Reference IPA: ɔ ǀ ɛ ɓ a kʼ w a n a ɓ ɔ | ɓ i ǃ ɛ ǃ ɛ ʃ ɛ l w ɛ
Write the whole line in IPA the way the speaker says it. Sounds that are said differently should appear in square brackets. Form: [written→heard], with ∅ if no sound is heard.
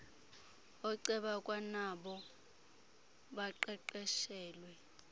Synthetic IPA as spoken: ɔ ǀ ɛ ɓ a kʼ w a n a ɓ ɔ | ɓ [i→a] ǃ ɛ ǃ ɛ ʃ [ɛ→ɛː] l w ɛ